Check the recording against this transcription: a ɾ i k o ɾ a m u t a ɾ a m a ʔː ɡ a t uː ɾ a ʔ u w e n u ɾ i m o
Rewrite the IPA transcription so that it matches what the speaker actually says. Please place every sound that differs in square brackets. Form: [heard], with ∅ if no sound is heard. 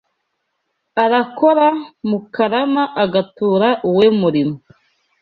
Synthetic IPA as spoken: a ɾ [a] k o ɾ a m u [k] a ɾ a m a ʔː ɡ a t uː ɾ a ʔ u w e [m] u ɾ i m o

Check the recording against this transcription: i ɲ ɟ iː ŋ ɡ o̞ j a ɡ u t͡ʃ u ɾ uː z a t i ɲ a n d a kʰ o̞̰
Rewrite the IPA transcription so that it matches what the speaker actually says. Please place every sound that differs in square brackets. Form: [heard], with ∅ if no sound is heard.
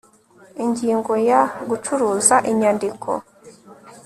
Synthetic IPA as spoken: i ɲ ɟ iː ŋ ɡ o̞ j a ɡ u t͡ʃ u ɾ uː z a [ʔ] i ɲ a n d [i] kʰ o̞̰

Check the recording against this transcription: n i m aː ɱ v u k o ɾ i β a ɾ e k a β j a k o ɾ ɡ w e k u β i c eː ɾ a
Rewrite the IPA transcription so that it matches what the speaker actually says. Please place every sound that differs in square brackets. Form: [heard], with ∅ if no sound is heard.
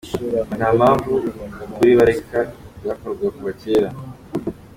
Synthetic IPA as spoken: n [a] m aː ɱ v u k [u] ɾ i β a ɾ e k a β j a k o ɾ ɡ w [a] k u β [a] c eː ɾ a

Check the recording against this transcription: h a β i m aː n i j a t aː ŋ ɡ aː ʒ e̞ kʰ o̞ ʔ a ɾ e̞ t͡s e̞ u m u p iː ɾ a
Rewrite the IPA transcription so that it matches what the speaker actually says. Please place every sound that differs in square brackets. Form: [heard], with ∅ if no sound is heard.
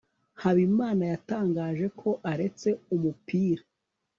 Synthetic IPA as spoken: h a β i m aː n [a] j a t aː ŋ ɡ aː ʒ e̞ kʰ o̞ ʔ a ɾ e̞ t͡s e̞ u m u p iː ɾ a

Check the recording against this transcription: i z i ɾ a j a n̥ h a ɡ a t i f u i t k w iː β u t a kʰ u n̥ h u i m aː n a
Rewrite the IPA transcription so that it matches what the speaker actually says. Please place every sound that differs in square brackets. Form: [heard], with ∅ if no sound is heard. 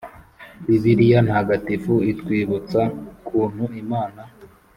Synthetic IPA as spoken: i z i ɾ [i] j a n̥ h a ɡ a t i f u i t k w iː β u [t͡s] a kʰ [uː] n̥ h u i m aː n a

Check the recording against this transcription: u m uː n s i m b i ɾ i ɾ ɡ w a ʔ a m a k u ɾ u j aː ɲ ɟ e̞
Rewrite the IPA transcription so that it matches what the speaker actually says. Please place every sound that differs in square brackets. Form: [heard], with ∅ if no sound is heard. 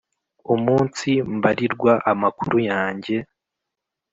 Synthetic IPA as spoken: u m uː n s i m b [a] ɾ i ɾ ɡ w a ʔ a m a k u ɾ u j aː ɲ ɟ e̞

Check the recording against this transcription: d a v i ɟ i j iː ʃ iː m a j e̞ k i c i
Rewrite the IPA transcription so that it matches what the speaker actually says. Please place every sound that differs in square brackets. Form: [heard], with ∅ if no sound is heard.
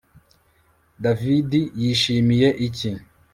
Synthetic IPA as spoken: d a v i [d] i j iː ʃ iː m [i] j e̞ [ʔ] i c i

